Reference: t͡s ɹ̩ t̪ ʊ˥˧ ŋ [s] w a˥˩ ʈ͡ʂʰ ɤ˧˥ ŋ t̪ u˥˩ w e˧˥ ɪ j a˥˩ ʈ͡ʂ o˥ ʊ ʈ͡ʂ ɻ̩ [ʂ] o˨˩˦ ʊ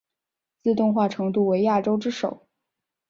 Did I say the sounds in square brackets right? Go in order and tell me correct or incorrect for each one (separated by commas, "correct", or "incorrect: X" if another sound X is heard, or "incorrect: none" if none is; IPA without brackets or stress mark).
incorrect: x, correct